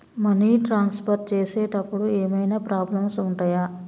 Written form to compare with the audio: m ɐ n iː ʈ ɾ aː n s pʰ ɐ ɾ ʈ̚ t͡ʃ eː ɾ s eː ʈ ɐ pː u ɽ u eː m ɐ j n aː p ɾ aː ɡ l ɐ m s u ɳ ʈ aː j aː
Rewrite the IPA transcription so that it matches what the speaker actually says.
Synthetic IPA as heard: m ɐ n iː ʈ ɾ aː n s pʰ ɐ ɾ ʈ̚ t͡ʃ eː s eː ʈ ɐ pː u ɽ u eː m ɐ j n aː p ɾ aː b l ɐ m s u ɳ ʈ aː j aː